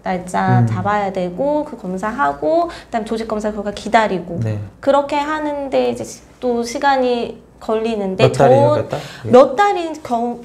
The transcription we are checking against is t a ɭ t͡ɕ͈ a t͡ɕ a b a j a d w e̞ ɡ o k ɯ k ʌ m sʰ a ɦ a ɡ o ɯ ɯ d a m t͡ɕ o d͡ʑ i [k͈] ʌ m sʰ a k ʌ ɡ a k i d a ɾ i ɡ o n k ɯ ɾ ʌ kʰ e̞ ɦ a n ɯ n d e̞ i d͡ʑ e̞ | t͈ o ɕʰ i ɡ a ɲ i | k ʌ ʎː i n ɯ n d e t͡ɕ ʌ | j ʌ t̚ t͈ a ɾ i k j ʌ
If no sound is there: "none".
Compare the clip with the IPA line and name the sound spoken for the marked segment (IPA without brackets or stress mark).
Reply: k͈